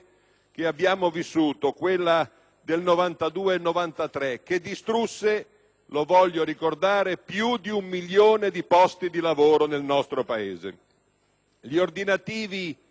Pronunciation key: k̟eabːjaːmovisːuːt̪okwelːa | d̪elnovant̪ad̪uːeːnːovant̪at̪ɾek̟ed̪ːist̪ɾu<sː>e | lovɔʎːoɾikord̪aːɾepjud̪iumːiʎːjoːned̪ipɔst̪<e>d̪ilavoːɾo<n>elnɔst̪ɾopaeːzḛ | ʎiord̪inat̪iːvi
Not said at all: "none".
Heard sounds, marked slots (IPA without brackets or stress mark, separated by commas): sː, i, n